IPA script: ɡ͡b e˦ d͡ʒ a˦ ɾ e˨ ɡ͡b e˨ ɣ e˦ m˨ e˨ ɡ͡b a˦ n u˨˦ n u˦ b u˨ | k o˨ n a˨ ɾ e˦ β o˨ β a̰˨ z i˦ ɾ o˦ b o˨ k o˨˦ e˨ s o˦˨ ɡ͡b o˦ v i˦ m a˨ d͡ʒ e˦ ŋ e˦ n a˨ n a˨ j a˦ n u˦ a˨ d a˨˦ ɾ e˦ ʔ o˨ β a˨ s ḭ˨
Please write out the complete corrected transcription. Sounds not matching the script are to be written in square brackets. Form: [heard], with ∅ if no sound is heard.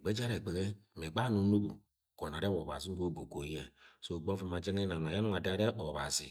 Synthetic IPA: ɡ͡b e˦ d͡ʒ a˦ ɾ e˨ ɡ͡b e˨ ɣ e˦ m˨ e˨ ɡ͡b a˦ n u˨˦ n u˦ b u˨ | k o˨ n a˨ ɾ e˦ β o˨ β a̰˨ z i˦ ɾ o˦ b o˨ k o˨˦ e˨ s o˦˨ ɡ͡b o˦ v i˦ m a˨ d͡ʒ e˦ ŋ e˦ n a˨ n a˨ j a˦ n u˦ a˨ d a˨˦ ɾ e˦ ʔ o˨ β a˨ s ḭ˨